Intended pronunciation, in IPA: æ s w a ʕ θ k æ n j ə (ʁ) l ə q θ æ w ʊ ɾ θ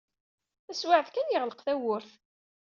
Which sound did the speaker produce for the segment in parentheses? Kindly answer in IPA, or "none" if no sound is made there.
ʁ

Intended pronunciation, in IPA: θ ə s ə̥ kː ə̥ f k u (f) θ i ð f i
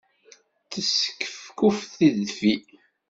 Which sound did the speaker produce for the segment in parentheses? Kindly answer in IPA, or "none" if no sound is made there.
f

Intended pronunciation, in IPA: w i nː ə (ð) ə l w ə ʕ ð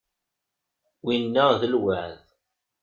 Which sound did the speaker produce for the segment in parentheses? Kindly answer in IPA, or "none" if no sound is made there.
ð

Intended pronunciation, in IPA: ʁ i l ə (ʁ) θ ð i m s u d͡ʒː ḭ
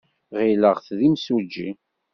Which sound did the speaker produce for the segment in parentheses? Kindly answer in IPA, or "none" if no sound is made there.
ʁ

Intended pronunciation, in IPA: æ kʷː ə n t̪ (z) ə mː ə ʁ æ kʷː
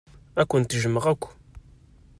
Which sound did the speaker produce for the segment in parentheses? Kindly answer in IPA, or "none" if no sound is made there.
ʒ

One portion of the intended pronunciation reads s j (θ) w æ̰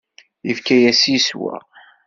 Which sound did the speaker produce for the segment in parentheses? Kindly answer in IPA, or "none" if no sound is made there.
s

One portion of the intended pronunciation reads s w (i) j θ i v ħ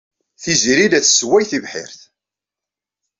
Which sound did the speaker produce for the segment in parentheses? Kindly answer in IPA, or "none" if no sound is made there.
æ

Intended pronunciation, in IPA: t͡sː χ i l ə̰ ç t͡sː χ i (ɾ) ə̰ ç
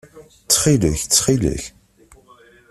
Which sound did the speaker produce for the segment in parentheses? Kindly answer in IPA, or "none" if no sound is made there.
l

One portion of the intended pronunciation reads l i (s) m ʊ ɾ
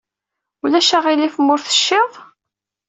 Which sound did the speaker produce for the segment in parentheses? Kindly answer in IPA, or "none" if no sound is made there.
f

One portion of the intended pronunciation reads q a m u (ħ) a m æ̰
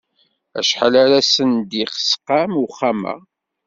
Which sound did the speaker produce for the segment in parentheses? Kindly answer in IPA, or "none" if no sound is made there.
χ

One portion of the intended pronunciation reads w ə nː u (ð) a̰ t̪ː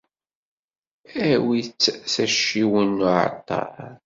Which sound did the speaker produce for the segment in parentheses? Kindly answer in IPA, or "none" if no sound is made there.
ʕ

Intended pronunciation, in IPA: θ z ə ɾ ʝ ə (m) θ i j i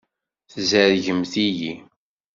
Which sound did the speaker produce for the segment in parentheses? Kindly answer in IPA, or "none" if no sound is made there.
m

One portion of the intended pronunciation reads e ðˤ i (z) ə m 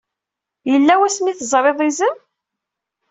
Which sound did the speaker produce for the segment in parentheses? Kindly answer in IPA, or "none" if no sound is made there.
z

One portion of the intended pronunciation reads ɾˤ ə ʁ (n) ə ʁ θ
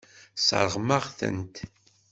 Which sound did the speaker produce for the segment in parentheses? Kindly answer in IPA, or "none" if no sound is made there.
m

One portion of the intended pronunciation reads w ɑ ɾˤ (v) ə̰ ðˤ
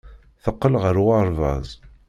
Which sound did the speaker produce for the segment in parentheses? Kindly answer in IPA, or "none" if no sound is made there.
v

